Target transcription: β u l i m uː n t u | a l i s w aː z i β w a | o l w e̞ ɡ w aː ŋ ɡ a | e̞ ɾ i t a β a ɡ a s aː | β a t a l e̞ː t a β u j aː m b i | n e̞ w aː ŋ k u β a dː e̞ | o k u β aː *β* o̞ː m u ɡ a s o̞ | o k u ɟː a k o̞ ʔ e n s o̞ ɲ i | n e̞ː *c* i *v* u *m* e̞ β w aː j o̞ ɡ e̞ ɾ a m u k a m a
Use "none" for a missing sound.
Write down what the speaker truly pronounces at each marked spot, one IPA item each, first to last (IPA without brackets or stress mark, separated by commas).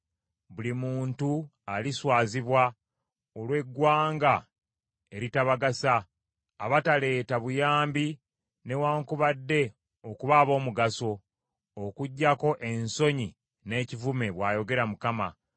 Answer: β, c, v, m